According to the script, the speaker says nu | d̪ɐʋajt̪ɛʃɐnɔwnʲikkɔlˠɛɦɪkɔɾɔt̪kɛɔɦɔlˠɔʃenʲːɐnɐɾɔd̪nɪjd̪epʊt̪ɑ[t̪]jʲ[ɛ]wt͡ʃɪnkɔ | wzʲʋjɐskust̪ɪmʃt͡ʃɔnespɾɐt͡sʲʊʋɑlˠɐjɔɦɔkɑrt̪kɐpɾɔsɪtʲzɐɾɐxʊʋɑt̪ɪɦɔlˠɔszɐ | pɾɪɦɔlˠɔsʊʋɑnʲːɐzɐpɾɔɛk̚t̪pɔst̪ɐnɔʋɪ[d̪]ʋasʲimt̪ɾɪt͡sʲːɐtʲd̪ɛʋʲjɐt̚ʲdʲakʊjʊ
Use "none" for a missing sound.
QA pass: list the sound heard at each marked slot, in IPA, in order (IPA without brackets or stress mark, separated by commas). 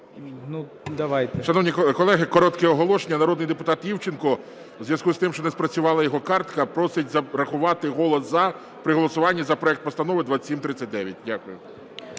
t̪, i, d̪